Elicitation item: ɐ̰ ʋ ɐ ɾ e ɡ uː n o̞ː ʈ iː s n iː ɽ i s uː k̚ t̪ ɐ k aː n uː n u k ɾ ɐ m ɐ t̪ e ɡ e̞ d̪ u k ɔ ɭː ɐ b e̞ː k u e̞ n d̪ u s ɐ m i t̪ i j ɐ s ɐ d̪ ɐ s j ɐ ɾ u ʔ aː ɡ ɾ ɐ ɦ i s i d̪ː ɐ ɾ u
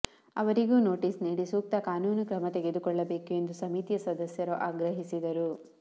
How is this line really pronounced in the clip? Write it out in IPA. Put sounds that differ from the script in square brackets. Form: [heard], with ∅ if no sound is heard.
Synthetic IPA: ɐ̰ ʋ ɐ ɾ [i] ɡ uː n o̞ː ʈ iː s n iː ɽ i s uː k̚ t̪ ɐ k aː n uː n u k ɾ ɐ m ɐ t̪ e ɡ e̞ d̪ u k ɔ ɭː ɐ b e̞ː k u e̞ n d̪ u s ɐ m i t̪ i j ɐ s ɐ d̪ ɐ s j ɐ ɾ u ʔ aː ɡ ɾ ɐ ɦ i s i [d̪] ɐ ɾ u